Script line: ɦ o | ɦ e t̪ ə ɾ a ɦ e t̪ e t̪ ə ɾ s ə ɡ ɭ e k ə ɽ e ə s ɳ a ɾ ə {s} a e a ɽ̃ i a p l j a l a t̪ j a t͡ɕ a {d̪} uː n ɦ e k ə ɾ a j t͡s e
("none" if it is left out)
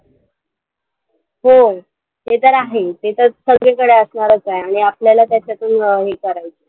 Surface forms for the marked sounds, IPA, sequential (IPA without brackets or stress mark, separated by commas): t͡s, t̪